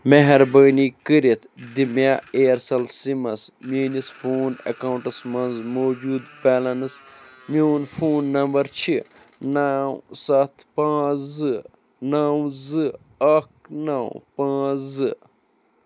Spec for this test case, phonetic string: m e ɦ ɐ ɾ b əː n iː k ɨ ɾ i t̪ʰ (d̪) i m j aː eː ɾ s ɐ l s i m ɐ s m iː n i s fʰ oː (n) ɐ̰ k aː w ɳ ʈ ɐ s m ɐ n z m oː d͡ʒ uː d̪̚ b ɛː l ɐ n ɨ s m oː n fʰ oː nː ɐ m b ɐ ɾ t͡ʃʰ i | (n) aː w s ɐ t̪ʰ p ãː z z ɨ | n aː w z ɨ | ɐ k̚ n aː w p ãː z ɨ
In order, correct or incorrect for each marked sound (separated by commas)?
correct, correct, correct